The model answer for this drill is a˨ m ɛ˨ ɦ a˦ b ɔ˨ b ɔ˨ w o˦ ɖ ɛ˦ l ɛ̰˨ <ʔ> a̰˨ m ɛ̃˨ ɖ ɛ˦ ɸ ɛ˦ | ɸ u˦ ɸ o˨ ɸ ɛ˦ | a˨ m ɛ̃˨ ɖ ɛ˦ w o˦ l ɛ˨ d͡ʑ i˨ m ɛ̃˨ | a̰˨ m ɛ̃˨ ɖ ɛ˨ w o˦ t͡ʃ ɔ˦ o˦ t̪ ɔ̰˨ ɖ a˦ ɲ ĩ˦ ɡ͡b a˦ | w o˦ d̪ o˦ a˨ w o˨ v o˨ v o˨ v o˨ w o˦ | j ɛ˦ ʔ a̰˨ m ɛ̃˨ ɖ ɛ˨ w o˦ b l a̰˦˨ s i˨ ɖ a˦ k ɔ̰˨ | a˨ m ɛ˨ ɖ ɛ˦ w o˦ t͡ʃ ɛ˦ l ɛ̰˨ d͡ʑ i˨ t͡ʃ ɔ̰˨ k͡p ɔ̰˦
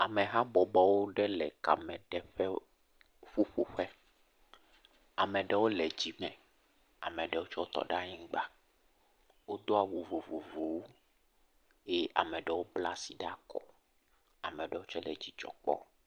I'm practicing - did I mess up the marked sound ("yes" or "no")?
yes